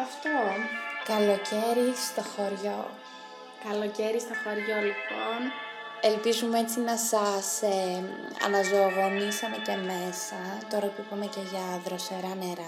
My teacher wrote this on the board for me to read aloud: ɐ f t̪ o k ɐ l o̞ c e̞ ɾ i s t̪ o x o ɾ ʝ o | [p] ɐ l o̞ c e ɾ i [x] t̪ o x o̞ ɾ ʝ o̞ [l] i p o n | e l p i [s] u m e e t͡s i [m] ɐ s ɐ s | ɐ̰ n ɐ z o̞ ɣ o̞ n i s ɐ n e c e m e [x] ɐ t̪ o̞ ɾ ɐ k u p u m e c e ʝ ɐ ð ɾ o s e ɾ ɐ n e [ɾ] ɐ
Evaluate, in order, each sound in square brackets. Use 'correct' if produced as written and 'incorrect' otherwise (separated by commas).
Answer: incorrect, incorrect, correct, incorrect, incorrect, incorrect, correct